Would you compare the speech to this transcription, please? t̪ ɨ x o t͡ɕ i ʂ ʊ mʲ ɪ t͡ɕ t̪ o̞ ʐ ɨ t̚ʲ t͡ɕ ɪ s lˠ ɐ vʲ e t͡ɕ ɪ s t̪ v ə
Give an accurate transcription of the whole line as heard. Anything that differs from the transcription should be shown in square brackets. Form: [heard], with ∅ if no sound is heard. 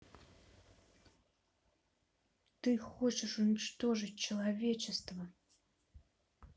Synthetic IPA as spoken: t̪ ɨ x o t͡ɕ [ɪ] ʂ ʊ [nʲ] ɪ t͡ɕ t̪ o̞ ʐ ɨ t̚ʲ t͡ɕ ɪ [∅] lˠ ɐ vʲ e t͡ɕ ɪ s t̪ v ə